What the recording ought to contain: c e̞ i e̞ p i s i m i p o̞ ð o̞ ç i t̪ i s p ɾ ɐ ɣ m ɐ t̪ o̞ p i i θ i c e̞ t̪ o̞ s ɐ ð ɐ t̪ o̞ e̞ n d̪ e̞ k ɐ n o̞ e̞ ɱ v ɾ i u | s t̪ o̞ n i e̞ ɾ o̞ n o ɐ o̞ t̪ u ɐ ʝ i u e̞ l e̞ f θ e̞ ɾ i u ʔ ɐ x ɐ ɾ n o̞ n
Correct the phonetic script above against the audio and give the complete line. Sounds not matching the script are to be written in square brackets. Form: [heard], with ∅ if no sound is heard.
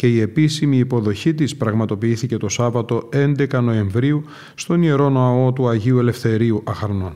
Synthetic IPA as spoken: c e̞ i e̞ p i s i m [iː] p o̞ ð o̞ ç i t̪ i s p ɾ ɐ ɣ m ɐ t̪ o̞ p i i θ i c e̞ t̪ o̞ s ɐ [v] ɐ t̪ o̞ e̞ n d̪ e̞ k ɐ n o̞ e̞ ɱ v ɾ i u | s t̪ o̞ n i e̞ ɾ o̞ n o ɐ o̞ t̪ u ɐ ʝ i u e̞ l e̞ f θ e̞ ɾ i u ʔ ɐ x ɐ ɾ n o̞ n